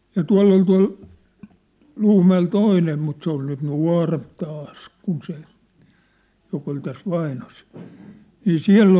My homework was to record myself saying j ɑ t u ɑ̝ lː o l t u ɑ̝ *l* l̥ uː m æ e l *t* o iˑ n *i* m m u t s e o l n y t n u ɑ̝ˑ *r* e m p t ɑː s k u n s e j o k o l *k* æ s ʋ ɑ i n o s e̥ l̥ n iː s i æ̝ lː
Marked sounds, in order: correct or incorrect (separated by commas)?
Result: correct, correct, incorrect, correct, incorrect